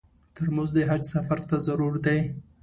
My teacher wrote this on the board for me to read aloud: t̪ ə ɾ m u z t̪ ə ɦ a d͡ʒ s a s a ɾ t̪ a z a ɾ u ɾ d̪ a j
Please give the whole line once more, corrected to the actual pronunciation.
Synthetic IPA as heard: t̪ ə ɾ m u z d̪ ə ɦ a d͡ʒ s a f a ɾ t̪ a z a ɾ u ɾ d̪ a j